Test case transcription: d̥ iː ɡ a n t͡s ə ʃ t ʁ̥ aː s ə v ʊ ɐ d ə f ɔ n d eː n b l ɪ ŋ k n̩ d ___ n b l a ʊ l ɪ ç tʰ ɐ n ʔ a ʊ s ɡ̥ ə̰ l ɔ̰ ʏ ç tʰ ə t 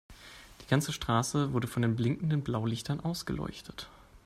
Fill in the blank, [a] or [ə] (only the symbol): ə